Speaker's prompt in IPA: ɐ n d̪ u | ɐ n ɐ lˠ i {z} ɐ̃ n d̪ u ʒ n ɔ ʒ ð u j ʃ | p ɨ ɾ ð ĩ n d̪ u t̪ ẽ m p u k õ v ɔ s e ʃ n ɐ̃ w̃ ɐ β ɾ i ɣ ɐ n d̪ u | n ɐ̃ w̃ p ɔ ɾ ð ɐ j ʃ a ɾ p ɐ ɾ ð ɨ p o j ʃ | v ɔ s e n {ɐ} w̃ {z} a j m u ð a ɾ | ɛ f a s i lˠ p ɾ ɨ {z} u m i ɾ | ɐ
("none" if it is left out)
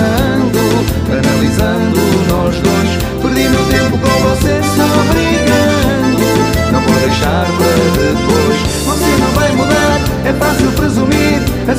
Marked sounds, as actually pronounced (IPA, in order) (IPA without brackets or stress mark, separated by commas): z, ɐ̃, v, z